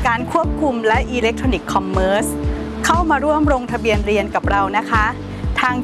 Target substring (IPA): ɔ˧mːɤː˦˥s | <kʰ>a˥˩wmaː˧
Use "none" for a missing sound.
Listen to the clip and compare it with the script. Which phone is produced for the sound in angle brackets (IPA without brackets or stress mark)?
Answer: kʰ